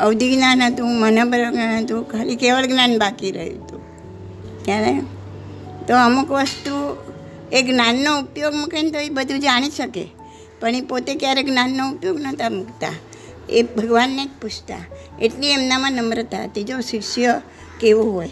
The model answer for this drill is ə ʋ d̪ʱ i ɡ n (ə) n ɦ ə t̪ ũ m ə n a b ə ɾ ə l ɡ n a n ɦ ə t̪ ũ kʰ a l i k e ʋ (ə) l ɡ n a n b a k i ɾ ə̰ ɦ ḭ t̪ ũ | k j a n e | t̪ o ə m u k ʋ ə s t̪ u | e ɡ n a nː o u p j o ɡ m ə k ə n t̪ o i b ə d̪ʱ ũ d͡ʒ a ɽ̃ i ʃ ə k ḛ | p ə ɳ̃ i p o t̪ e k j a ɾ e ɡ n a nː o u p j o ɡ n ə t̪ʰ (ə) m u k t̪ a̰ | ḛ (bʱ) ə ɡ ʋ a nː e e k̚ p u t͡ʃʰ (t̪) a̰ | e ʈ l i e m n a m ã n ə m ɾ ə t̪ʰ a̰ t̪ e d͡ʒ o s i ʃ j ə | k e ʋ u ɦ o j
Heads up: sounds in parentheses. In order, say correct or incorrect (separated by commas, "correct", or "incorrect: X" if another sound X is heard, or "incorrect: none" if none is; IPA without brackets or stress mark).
incorrect: a, correct, incorrect: a, correct, correct